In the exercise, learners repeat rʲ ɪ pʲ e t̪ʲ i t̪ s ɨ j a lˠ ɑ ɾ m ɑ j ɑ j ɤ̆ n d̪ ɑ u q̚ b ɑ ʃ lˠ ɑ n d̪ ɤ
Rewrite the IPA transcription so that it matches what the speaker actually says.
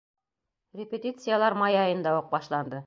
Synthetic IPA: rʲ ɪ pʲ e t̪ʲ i t̪ s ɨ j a lˠ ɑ ɾ m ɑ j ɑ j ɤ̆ n d̪ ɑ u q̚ b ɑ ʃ lˠ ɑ n d̪ ɤ